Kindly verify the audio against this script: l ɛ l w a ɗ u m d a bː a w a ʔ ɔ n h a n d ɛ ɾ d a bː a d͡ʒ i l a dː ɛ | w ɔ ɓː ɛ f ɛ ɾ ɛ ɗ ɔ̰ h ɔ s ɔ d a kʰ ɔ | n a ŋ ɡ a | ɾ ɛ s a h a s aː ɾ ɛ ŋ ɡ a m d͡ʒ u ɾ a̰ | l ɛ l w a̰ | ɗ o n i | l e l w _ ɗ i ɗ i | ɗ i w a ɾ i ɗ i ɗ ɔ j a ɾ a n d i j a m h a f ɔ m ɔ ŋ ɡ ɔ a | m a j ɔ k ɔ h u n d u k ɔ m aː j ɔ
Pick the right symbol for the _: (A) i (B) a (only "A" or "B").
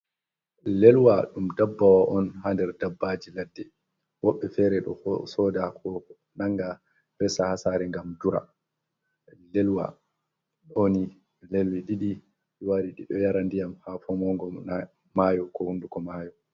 A